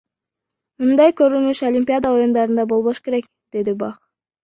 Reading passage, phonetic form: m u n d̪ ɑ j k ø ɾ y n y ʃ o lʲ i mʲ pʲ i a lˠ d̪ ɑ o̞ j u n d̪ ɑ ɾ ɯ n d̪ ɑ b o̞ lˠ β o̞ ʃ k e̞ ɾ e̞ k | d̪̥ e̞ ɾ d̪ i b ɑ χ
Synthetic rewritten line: m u n d̪ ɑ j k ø ɾ y n y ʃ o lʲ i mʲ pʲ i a d̪ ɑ o̞ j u n d̪ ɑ ɾ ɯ n d̪ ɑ b o̞ lˠ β o̞ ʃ k e̞ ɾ e̞ k | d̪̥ e̞ d̪ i b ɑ χ